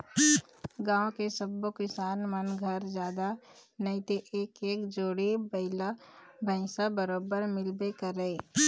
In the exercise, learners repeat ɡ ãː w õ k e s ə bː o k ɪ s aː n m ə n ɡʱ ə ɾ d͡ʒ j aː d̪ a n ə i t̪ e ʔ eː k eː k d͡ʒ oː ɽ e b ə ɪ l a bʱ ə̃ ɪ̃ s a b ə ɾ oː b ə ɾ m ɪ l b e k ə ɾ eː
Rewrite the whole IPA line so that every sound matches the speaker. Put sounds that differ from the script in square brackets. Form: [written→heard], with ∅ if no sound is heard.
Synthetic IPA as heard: ɡ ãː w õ k e s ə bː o k ɪ s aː n m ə n ɡʱ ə ɾ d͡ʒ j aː d̪ a n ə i t̪ e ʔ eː k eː k d͡ʒ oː ɽ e b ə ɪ l a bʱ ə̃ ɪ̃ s a b ə ɾ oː b ə ɾ m ɪ l b e k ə ɾ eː